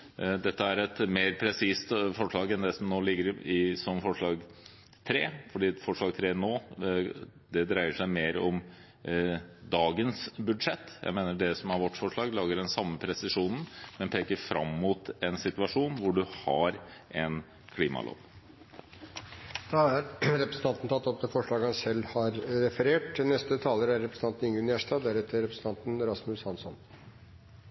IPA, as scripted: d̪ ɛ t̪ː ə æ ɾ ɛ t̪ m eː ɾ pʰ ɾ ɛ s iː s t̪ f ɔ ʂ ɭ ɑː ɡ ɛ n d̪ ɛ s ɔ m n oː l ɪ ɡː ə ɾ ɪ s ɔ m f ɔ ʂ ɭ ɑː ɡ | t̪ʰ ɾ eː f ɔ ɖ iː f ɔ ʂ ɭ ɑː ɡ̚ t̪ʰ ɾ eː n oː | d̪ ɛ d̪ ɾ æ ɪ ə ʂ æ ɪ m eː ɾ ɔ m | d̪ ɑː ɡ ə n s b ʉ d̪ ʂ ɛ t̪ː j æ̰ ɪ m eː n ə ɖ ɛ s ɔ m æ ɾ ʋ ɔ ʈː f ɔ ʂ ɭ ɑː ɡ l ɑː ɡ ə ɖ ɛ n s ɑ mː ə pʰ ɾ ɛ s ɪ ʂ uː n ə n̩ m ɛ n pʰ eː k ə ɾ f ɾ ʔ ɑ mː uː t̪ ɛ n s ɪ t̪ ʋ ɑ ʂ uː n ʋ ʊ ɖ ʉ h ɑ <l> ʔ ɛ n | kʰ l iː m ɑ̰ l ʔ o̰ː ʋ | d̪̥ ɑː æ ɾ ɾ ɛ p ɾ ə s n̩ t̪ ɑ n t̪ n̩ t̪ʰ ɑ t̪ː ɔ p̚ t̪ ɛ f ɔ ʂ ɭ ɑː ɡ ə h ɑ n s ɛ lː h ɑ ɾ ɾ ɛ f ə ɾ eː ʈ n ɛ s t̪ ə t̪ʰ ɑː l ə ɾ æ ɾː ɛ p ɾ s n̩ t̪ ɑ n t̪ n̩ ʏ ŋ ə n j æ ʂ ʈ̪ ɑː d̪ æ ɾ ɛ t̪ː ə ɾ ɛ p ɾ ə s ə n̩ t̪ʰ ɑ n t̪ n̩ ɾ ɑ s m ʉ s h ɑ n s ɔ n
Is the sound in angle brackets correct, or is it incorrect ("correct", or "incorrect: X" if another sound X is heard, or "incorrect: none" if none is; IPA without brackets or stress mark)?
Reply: incorrect: ɾ